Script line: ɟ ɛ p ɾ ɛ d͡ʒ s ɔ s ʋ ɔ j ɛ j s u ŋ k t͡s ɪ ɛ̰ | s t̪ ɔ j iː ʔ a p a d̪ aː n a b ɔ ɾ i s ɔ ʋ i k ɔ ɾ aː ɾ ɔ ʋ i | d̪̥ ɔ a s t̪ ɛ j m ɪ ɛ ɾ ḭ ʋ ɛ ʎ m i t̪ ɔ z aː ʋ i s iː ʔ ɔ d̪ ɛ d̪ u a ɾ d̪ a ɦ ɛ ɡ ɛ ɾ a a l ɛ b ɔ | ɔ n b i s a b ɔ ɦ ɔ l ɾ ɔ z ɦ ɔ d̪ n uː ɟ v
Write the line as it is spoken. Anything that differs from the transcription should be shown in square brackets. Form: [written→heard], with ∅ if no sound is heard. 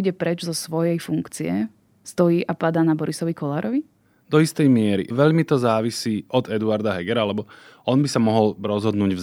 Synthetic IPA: ɟ ɛ p ɾ ɛ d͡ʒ [s→z] ɔ s ʋ ɔ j ɛ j [s→f] u ŋ k t͡s [ɪ→i] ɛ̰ | s t̪ ɔ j iː ʔ a p a d̪ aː n a b ɔ ɾ i s ɔ ʋ i k ɔ [ɾ→l] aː ɾ ɔ ʋ i | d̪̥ ɔ [a→i] s t̪ ɛ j m ɪ ɛ ɾ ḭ ʋ ɛ ʎ m i t̪ ɔ z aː ʋ i s iː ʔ ɔ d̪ ɛ d̪ u a ɾ d̪ a ɦ ɛ ɡ ɛ ɾ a a l ɛ b ɔ | ɔ n b i s a [b→m] ɔ ɦ ɔ l ɾ ɔ z ɦ ɔ d̪ n uː ɟ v